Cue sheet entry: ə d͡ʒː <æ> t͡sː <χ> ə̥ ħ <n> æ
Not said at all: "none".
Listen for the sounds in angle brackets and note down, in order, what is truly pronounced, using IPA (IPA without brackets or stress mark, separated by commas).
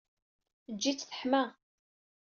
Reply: i, θ, m